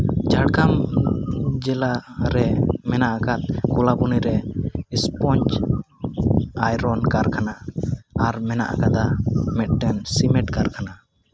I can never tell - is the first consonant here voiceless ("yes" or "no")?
no